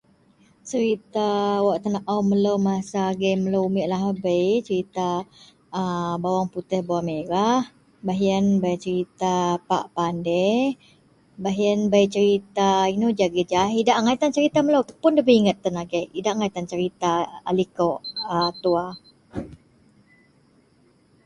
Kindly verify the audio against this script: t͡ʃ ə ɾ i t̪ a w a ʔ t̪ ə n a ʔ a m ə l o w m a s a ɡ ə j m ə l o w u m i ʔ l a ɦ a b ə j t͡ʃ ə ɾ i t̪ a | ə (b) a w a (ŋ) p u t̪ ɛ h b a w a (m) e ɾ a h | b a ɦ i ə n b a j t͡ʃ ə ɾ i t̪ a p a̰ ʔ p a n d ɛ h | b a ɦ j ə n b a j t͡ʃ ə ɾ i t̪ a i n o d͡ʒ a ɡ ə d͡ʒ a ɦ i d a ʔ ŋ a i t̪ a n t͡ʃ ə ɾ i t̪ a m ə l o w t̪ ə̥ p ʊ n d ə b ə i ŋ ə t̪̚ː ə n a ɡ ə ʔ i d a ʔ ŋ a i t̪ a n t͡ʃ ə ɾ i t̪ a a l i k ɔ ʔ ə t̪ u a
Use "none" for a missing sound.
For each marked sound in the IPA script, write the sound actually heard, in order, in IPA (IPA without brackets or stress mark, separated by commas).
b, ŋ, m